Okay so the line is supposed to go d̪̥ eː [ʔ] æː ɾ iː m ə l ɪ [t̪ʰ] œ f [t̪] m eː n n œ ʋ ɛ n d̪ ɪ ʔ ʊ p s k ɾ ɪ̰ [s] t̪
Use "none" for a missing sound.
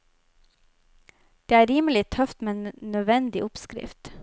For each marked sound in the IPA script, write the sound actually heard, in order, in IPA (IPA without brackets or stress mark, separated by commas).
none, t̪ʰ, t̪, f